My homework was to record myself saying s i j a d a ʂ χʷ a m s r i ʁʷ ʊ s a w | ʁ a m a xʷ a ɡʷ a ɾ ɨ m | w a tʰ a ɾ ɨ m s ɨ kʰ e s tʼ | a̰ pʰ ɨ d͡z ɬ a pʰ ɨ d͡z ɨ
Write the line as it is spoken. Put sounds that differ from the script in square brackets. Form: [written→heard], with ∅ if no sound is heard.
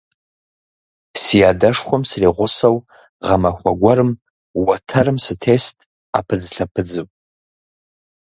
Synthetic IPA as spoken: s i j a d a ʂ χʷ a m s r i ʁʷ ʊ s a w | ʁ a m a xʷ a ɡʷ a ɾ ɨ m | w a tʰ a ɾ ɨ m s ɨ [kʰ→tʰ] e s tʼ | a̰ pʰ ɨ d͡z ɬ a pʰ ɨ d͡z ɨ